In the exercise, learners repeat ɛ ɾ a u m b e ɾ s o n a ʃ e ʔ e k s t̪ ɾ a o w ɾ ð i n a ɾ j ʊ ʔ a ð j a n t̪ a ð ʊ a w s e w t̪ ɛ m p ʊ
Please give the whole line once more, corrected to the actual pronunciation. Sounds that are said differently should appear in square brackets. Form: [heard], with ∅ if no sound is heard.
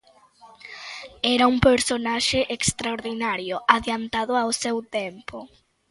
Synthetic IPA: ɛ ɾ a u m [p] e ɾ s o n a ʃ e ʔ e k s t̪ ɾ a o [∅] ɾ ð i n a ɾ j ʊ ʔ a ð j a n t̪ a ð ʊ a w s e w t̪ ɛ m p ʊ